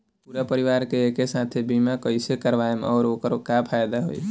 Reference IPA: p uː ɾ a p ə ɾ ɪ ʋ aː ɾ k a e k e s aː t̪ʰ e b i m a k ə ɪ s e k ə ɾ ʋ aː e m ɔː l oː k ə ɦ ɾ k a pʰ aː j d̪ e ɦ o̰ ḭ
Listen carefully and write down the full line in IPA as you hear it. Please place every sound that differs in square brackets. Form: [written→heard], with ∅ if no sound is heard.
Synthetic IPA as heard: p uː ɾ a p ə ɾ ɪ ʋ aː ɾ k [a→e] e k e s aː t̪ʰ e b i m a k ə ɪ s e k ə ɾ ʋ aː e m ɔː [l→ɾ] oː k ə [ɦ→∅] ɾ k a pʰ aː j d̪ [e→a] ɦ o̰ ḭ